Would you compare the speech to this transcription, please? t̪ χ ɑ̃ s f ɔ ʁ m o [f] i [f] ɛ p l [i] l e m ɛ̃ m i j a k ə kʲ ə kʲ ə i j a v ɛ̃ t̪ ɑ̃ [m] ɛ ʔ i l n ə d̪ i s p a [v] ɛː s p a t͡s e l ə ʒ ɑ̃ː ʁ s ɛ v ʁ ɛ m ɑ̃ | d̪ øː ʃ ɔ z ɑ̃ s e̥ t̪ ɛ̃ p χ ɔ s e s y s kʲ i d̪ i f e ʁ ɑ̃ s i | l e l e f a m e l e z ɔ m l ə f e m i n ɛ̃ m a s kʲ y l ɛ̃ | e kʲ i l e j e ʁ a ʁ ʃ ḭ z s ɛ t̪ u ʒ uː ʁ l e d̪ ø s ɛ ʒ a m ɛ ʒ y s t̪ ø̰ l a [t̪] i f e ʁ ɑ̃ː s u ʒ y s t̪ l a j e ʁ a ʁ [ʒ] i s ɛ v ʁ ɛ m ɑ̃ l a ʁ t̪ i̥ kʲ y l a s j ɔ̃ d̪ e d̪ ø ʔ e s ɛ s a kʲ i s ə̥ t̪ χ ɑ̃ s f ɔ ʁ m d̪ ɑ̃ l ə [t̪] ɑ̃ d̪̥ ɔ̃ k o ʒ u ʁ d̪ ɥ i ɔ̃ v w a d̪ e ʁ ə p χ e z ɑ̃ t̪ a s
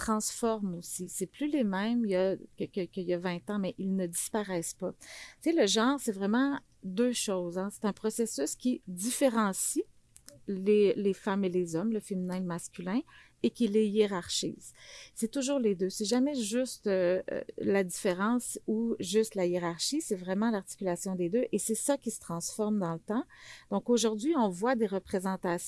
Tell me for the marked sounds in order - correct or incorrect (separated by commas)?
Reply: incorrect, incorrect, incorrect, correct, incorrect, incorrect, incorrect, correct